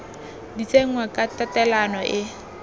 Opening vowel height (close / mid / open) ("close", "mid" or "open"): close